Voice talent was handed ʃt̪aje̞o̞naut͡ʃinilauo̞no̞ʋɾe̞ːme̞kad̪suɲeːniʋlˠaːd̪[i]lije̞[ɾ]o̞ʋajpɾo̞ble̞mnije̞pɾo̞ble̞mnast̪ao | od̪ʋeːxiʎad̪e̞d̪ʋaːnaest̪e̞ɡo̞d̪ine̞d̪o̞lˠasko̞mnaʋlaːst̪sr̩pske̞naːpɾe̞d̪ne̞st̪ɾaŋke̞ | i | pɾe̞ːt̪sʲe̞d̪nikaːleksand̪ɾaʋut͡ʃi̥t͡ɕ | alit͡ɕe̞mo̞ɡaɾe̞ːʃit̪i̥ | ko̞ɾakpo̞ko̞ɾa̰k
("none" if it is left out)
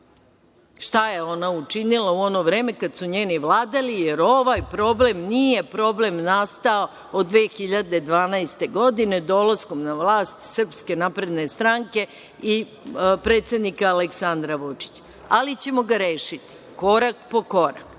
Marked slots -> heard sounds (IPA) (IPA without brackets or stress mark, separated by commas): a, ɾ